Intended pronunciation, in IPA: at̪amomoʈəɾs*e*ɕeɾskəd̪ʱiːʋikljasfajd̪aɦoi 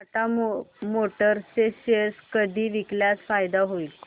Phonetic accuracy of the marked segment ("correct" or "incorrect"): correct